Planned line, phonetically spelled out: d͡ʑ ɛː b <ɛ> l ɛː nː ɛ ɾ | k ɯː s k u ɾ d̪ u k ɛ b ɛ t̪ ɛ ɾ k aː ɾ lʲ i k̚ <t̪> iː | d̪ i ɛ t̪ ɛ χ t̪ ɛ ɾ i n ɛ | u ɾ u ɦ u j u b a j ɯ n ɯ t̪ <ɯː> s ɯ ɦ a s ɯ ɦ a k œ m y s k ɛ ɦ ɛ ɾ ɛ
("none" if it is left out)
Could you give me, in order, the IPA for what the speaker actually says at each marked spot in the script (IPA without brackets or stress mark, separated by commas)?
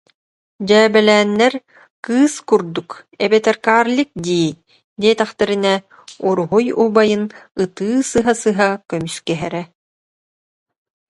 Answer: ɛ, d̪, ɯː